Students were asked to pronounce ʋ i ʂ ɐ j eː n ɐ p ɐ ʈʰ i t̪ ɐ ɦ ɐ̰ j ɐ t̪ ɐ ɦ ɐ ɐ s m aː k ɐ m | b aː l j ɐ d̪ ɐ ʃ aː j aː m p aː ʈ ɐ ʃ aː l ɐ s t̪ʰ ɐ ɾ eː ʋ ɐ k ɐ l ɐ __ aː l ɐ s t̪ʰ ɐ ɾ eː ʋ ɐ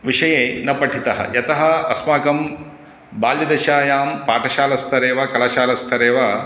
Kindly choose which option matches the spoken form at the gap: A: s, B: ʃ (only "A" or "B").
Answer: B